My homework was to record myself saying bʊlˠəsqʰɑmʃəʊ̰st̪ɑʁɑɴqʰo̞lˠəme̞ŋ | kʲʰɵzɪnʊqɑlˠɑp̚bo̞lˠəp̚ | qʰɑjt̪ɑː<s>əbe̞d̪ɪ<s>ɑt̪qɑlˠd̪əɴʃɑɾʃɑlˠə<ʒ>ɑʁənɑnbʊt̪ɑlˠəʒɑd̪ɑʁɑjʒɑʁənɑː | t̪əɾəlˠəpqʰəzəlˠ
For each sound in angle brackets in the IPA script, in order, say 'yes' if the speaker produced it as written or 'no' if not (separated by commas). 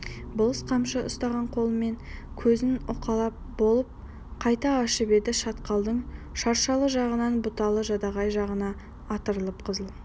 no, no, yes